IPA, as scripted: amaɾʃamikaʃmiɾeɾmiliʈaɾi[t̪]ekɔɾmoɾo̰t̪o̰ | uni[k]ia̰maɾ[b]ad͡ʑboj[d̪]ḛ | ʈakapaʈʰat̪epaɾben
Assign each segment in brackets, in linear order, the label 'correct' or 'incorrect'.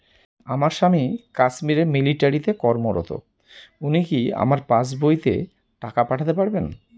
correct, correct, incorrect: p, incorrect: t̪

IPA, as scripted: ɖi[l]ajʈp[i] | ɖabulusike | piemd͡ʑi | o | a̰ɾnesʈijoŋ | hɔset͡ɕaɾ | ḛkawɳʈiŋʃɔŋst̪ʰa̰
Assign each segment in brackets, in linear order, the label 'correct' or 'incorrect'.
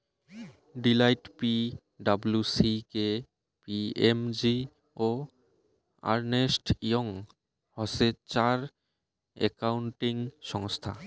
correct, correct

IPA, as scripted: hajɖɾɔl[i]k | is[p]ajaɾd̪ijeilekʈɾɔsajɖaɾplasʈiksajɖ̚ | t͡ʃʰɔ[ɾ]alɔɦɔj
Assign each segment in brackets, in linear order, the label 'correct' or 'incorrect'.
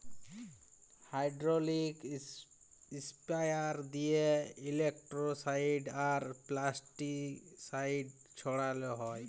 correct, correct, incorrect: ɽ

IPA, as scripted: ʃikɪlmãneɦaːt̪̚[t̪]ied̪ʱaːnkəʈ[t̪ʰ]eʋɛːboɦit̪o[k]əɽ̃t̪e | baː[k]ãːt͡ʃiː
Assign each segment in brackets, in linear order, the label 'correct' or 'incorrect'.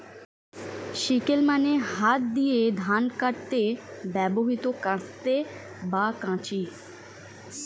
incorrect: d̪, incorrect: t̪, correct, correct

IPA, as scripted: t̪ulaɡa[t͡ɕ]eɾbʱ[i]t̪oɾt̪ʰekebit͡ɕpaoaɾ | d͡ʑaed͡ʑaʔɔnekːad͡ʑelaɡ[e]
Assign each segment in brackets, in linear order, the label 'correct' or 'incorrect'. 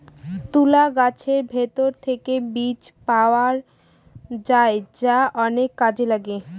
incorrect: t͡ɕʰ, incorrect: e, correct

